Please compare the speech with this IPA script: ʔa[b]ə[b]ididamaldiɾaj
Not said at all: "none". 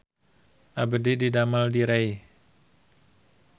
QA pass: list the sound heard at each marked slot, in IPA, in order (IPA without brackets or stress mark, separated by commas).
b, d